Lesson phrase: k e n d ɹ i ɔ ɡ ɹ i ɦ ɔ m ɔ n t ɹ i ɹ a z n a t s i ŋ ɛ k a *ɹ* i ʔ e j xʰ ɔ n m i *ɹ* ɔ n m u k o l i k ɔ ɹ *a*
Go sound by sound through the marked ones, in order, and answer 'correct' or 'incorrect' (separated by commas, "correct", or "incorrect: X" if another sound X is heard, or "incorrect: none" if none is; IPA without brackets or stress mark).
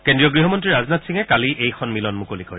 incorrect: l, incorrect: l, incorrect: ɛ